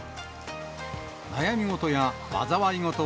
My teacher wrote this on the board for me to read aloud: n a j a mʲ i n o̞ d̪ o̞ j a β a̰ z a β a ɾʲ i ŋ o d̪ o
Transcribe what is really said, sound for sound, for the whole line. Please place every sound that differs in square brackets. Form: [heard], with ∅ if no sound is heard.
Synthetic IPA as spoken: n a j a mʲ i [ŋ] o̞ [t̪] o̞ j a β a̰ z a β a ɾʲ i ŋ o [t̪] o